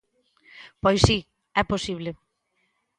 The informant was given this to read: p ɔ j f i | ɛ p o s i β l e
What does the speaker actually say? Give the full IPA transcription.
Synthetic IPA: p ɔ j s i | ɛ p o s i β l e